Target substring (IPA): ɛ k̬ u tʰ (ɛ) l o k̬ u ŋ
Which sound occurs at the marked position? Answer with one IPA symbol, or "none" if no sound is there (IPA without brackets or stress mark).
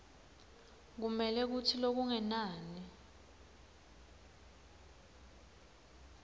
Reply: i